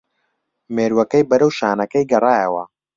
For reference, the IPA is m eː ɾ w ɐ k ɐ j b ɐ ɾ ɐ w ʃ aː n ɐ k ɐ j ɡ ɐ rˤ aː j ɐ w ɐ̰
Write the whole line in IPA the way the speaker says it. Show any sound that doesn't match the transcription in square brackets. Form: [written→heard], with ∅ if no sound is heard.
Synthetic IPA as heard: m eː ɾ w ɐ k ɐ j b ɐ ɾ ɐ w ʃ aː n ɐ k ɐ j ɡ ɐ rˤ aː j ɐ w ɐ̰